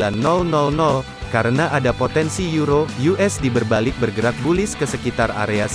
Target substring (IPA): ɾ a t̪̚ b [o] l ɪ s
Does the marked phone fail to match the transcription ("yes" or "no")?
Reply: yes